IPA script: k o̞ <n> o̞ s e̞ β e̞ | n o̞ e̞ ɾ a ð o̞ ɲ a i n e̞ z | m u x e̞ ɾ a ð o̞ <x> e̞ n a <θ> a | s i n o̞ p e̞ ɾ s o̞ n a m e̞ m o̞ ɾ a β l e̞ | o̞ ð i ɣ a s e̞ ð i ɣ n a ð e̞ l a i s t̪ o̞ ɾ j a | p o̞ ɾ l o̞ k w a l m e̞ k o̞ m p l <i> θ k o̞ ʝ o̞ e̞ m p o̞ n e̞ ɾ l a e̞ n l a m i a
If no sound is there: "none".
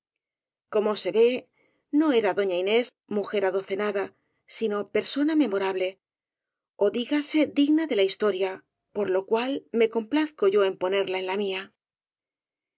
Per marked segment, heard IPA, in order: m, θ, ð, a

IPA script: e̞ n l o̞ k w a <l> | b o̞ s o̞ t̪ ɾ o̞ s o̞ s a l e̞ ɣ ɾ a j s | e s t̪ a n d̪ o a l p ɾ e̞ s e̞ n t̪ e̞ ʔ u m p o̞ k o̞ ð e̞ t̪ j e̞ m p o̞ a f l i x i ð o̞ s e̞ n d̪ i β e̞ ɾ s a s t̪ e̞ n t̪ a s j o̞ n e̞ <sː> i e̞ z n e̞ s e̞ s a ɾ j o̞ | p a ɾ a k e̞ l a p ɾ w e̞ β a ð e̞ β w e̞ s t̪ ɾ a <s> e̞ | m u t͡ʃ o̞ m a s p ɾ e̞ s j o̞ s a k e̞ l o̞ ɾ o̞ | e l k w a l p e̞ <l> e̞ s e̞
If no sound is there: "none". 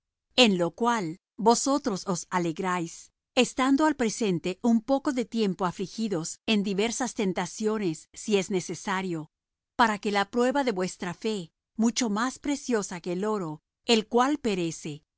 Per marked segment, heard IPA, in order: l, sː, f, ɾ

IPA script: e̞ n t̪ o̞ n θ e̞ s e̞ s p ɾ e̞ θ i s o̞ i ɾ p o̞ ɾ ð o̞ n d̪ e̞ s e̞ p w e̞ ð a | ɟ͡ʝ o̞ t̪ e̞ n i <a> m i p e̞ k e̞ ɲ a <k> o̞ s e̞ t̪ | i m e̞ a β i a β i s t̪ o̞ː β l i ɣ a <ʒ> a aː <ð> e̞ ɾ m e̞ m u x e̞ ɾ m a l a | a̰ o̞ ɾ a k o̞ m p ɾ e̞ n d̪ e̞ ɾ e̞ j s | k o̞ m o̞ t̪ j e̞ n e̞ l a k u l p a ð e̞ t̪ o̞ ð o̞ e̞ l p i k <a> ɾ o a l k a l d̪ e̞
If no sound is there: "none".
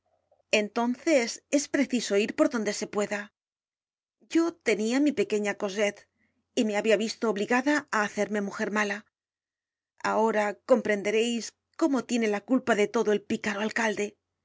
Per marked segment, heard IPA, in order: a, k, ð, θ, a

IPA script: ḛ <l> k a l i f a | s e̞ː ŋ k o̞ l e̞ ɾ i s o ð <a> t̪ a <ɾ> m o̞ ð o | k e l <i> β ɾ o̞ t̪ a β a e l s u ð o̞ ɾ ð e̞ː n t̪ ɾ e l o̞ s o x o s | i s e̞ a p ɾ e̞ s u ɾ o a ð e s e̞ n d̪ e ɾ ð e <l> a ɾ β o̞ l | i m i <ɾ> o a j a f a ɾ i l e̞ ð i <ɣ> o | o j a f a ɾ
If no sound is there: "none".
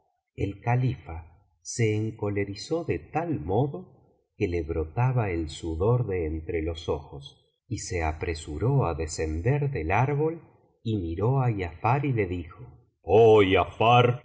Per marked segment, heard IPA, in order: l, e, l, e, l, ɾ, x

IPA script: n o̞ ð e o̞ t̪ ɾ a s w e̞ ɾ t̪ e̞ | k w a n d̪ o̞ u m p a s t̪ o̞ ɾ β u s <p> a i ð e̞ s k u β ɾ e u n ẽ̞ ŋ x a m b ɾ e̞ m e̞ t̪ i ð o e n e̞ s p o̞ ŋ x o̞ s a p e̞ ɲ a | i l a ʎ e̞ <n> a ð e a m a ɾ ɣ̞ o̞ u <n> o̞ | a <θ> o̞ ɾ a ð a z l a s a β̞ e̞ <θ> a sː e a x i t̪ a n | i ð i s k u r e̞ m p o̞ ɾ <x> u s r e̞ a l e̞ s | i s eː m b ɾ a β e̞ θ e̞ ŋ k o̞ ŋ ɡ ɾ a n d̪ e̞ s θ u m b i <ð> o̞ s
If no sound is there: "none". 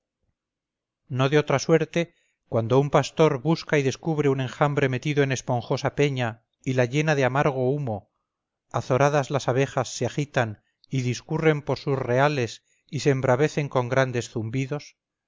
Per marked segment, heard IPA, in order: k, n, m, θ, x, s, ð

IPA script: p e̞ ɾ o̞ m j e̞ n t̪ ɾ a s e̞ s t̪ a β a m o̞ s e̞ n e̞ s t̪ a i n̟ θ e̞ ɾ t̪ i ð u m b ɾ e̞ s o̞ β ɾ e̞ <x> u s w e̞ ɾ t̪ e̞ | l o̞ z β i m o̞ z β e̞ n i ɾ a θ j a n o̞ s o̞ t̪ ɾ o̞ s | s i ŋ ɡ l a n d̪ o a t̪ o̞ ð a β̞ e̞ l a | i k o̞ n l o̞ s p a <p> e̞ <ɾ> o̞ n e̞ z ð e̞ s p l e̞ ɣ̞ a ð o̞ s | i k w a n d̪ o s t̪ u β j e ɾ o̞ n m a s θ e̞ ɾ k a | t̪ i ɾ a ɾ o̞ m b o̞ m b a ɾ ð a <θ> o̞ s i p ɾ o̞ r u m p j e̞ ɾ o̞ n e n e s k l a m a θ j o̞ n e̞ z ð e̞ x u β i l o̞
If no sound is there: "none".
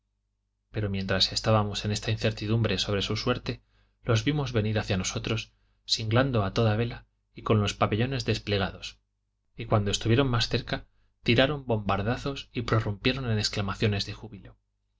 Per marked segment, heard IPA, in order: s, p, ʎ, θ

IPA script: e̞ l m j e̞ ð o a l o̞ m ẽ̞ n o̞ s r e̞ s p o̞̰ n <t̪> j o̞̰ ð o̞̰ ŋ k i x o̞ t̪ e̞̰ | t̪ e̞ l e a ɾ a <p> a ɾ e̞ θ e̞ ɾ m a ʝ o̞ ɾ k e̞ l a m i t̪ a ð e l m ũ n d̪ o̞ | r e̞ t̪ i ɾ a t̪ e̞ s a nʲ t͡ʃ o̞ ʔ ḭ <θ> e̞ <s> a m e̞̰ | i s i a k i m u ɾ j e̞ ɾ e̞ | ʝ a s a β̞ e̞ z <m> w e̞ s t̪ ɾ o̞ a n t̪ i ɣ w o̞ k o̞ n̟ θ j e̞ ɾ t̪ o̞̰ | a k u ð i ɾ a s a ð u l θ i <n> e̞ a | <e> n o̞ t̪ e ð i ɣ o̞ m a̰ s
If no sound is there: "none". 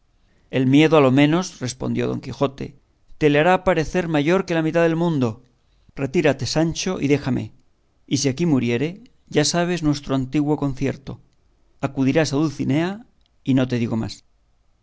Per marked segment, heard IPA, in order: d̪, p, ð, x, n, n, i

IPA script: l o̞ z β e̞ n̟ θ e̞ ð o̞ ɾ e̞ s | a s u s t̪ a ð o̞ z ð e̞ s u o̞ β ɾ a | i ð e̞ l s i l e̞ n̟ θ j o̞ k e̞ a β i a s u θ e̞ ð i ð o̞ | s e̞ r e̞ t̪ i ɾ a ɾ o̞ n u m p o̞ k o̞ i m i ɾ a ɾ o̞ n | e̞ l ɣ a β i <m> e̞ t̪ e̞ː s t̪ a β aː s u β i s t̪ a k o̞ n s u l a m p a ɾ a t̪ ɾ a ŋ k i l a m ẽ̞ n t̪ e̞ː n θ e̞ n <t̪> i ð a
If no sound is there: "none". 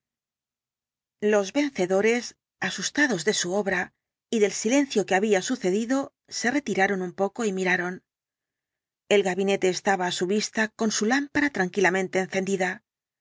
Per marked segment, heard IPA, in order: n, d̪

